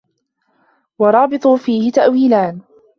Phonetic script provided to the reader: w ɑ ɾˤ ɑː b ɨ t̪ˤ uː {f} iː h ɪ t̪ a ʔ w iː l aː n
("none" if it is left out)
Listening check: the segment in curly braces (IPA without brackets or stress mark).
f